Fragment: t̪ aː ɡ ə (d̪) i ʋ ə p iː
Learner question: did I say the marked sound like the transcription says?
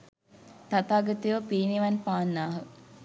no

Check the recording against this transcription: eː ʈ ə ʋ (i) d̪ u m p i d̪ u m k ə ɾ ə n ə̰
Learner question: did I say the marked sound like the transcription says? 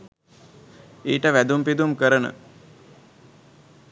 no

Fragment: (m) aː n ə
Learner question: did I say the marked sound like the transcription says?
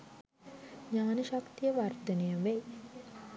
no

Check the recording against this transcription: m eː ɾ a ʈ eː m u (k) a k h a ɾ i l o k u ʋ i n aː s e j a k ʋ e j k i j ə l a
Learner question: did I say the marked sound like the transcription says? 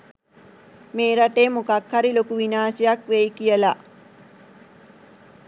yes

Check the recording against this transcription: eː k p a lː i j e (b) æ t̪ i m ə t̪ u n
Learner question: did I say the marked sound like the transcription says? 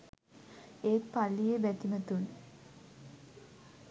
yes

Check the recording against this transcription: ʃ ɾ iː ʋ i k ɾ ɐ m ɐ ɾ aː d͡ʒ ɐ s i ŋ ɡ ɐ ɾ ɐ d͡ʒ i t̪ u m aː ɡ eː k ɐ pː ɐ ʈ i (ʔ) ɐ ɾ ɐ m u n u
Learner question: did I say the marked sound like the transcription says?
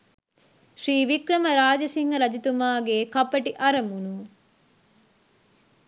yes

